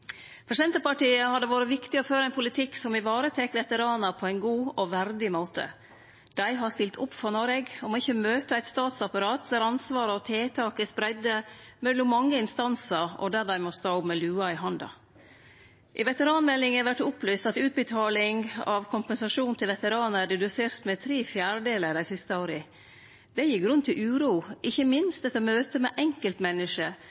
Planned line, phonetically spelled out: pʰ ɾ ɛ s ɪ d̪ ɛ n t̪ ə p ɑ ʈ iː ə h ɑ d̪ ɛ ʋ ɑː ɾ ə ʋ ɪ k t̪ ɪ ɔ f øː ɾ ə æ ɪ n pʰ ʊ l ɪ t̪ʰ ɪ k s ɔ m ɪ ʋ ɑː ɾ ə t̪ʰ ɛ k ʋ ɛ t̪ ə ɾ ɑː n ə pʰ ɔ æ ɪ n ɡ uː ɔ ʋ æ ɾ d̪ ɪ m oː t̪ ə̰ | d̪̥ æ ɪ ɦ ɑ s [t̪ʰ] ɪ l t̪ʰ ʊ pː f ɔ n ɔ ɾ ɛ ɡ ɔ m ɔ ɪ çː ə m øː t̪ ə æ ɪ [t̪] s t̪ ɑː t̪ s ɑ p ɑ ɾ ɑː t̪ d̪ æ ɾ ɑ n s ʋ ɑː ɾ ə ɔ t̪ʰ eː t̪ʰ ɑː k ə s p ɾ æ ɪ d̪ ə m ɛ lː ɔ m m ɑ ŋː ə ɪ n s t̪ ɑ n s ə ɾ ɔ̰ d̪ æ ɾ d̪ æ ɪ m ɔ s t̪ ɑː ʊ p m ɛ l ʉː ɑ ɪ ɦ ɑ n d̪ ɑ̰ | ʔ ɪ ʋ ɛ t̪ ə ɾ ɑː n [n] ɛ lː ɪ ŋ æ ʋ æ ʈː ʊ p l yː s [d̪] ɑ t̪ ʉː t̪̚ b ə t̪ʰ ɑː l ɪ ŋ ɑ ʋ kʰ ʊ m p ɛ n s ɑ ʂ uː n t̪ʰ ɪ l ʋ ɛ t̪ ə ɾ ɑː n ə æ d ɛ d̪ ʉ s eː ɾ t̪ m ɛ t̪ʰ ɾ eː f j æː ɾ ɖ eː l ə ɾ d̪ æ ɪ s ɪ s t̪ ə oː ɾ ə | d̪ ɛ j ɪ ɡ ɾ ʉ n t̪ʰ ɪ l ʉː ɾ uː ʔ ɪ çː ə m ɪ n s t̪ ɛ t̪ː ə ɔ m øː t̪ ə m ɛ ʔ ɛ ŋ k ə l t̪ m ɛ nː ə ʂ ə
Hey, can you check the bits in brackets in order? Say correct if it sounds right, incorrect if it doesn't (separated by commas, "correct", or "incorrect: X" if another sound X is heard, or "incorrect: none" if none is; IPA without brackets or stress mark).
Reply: incorrect: t̪, correct, incorrect: m, incorrect: t̪